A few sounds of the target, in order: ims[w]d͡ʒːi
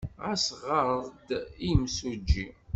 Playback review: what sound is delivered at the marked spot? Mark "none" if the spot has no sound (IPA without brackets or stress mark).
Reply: u